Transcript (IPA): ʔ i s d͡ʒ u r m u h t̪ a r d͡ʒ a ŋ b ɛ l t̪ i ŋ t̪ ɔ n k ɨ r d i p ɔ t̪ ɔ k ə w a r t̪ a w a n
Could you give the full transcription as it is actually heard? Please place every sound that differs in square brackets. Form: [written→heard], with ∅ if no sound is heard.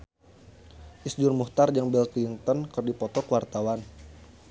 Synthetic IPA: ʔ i s d͡ʒ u r m u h t̪ a r d͡ʒ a ŋ b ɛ l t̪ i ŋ t̪ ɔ n k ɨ r d i p ɔ t̪ ɔ k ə w a r t̪ a w a n